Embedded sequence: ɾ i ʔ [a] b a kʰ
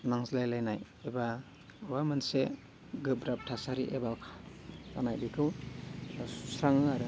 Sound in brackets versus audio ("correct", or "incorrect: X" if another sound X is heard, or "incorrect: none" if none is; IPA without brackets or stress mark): incorrect: e